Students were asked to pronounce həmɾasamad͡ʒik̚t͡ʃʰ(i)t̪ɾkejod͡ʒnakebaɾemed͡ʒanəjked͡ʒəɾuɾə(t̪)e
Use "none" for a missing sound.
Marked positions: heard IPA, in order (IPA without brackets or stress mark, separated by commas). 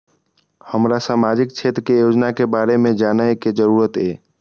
e, t̪